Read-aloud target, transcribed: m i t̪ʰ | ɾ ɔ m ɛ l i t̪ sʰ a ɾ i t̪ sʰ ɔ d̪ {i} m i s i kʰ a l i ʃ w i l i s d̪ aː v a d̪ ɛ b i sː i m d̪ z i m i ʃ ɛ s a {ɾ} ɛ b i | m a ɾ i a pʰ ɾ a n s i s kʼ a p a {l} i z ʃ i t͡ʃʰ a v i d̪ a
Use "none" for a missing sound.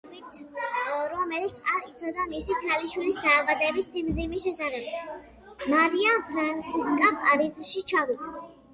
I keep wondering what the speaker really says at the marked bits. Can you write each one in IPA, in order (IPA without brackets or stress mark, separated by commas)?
a, ɾ, ɾ